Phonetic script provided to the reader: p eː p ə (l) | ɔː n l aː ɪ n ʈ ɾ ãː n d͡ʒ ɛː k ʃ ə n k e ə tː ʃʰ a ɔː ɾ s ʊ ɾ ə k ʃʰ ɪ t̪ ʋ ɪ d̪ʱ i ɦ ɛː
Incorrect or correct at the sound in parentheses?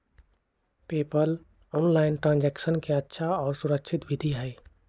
correct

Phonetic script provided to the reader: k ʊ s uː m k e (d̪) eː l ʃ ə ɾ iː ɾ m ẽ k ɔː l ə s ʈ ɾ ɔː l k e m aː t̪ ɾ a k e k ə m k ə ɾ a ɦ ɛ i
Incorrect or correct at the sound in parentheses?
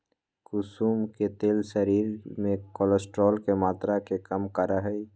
incorrect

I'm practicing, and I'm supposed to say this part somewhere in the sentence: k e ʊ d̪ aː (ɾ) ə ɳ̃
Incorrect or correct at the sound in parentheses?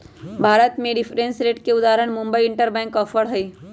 correct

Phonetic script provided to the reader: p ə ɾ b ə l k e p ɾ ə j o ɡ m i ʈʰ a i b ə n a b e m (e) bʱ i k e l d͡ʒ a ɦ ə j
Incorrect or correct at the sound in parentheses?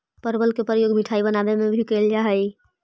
correct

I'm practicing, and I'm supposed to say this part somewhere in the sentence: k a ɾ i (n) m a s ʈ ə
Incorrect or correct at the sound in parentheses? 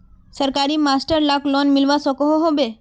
incorrect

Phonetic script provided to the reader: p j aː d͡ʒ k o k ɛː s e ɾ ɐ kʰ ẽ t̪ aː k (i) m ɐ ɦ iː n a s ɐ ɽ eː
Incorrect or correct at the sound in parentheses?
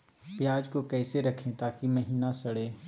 correct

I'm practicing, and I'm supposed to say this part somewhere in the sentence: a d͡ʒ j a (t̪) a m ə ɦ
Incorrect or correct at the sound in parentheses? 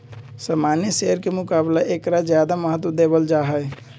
incorrect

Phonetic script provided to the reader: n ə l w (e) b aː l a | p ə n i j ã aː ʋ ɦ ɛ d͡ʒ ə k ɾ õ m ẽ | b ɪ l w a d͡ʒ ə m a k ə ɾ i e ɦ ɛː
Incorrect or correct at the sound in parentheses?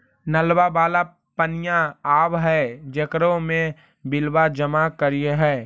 incorrect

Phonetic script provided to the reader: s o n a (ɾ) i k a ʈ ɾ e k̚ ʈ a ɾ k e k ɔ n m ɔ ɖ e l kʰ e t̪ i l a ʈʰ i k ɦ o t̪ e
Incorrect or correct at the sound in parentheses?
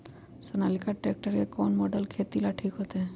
incorrect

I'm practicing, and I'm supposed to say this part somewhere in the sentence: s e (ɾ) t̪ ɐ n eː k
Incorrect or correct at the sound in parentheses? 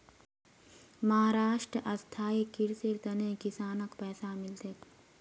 correct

